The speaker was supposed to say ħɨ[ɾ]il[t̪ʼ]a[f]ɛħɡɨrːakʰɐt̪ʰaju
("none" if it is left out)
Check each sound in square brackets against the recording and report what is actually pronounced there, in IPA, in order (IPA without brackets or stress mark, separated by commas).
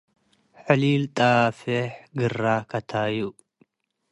l, t̪ʼ, f